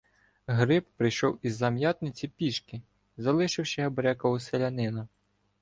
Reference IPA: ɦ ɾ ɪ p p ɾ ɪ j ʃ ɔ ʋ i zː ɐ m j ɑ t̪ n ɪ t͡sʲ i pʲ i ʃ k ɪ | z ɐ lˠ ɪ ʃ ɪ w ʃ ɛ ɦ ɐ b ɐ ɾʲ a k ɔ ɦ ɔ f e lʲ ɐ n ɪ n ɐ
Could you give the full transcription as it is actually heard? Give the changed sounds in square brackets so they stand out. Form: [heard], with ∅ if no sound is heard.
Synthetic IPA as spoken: ɦ ɾ ɪ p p ɾ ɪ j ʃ ɔ [w] i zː ɐ m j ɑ t̪ n ɪ t͡sʲ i pʲ i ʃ k ɪ | z ɐ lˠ ɪ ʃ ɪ w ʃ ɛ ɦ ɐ b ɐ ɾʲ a k ɔ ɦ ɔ [s] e lʲ ɐ n ɪ n ɐ